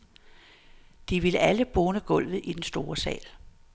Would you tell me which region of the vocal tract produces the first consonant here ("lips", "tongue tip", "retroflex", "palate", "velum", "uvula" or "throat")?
tongue tip